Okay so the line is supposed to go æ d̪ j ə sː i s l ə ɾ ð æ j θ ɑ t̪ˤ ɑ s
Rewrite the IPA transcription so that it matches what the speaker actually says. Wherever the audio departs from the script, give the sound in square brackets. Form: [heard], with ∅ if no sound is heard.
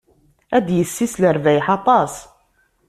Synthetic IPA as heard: æ d̪ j ə sː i s l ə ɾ [v] æ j [ħ] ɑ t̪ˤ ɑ s